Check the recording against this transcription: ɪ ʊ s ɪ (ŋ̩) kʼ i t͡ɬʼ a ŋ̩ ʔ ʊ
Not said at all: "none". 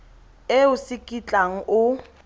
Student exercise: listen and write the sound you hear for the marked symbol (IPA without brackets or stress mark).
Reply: none